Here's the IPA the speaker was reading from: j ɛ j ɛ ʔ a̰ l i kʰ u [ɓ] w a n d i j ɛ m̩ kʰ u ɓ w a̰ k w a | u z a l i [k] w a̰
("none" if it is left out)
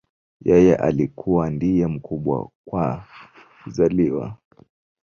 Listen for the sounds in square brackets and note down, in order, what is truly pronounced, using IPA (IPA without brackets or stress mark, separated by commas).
none, none